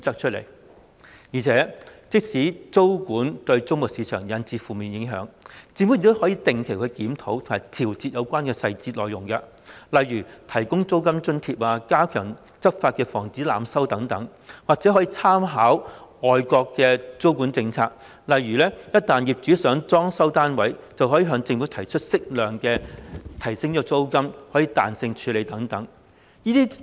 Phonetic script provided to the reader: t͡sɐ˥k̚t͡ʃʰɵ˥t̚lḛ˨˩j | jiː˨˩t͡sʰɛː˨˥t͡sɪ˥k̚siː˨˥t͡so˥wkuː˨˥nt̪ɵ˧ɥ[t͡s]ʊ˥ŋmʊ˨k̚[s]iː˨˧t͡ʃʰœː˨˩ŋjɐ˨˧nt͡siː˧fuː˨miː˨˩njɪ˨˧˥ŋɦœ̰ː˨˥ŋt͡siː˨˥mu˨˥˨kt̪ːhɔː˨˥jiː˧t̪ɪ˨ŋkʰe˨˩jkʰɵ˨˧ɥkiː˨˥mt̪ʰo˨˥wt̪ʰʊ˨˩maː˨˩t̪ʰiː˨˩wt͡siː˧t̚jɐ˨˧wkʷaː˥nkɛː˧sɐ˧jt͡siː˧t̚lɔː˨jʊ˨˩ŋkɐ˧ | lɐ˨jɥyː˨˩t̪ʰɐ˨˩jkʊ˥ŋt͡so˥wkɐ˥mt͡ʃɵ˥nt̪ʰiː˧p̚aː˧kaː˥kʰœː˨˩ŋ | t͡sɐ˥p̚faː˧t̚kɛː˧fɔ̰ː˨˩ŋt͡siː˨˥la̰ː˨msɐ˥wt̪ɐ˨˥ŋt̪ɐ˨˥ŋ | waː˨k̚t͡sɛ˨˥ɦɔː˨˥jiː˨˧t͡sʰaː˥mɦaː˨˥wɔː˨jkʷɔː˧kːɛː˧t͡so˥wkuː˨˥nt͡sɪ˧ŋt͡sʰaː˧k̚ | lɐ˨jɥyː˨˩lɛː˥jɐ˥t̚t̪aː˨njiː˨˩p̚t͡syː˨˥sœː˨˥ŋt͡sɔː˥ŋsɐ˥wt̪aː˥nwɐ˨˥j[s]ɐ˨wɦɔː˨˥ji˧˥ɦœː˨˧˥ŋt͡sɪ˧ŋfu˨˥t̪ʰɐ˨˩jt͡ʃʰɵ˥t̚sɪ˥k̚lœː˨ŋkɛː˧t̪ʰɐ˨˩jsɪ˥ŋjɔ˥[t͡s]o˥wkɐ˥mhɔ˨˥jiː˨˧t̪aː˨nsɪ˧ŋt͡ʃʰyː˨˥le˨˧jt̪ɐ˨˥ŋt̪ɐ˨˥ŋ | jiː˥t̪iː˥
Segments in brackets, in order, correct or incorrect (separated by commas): correct, correct, incorrect, correct